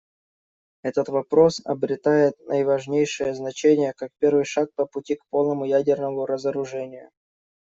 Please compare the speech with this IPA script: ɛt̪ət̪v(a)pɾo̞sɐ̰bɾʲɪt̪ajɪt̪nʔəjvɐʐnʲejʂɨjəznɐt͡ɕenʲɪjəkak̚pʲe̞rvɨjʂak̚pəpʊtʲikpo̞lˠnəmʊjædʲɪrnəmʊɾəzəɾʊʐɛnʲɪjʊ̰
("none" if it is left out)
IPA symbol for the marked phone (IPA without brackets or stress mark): ɐ